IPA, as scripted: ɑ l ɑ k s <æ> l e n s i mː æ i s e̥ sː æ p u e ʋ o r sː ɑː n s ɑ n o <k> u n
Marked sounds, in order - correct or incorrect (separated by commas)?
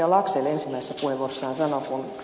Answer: incorrect, correct